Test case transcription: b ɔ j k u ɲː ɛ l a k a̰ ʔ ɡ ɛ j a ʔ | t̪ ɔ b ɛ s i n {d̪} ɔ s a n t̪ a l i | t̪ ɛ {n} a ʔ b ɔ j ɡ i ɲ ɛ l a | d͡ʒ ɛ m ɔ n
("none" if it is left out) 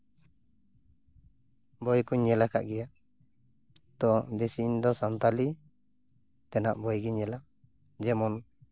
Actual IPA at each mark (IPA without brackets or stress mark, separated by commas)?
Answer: d̪, n